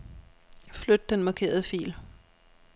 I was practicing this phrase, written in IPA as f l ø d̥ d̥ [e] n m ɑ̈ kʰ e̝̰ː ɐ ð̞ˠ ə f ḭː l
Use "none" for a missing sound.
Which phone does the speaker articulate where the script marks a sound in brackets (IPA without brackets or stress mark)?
e